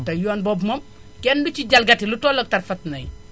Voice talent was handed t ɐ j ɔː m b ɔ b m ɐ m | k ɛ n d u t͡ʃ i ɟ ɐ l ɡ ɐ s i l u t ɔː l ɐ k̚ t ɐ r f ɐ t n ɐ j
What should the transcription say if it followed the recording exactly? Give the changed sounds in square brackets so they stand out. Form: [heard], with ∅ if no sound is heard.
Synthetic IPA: t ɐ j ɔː [n] b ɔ b m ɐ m | k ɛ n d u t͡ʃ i ɟ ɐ l ɡ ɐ [t] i l u t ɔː l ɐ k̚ t ɐ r f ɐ t n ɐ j